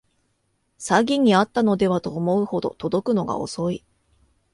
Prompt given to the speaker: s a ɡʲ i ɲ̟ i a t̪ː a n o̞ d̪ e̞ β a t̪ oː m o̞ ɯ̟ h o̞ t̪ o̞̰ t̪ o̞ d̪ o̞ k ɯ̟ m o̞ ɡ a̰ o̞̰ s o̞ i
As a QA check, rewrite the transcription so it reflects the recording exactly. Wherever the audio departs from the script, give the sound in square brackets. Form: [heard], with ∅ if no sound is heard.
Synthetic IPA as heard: s a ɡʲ i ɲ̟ i a t̪ː a n o̞ d̪ e̞ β a t̪ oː m o̞ ɯ̟ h o̞ [d̪] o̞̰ t̪ o̞ d̪ o̞ k ɯ̟ [n] o̞ ɡ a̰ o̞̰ s o̞ i